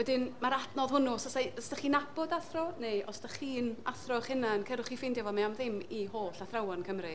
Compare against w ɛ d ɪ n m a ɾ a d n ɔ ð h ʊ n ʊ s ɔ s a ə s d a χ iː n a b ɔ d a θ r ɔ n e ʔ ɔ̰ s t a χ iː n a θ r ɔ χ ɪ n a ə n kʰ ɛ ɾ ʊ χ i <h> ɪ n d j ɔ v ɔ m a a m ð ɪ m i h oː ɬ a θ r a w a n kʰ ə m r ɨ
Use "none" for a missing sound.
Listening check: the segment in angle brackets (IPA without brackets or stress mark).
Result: f